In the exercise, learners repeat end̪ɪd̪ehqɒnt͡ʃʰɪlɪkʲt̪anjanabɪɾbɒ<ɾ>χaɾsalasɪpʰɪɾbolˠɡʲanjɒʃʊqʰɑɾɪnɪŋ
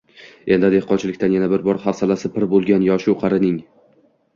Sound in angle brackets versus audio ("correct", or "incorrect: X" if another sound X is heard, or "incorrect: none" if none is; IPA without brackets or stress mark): correct